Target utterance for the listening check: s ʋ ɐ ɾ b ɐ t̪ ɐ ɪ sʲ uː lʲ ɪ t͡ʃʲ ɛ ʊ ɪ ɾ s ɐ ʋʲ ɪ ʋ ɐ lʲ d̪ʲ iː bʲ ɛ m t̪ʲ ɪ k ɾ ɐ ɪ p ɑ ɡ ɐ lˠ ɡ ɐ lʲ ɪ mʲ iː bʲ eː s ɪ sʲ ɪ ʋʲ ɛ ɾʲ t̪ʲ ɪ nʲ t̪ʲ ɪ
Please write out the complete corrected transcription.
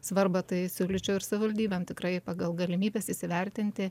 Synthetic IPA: s ʋ ɐ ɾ b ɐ t̪ ɐ ɪ sʲ uː lʲ ɪ t͡ʃʲ ɛ ʊ ɪ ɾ s ɐ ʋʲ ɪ ʋ ɐ lʲ d̪ʲ iː bʲ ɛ m t̪ʲ ɪ k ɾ ɐ ɪ p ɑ ɡ ɐ lˠ ɡ ɐ lʲ ɪ mʲ iː bʲ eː s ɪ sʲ ɪ ʋʲ ɛ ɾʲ t̪ʲ ɪ nʲ t̪ʲ ɪ